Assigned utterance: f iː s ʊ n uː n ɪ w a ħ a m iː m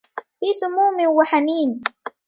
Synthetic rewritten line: f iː s ʊ m uː m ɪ w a ħ a m iː n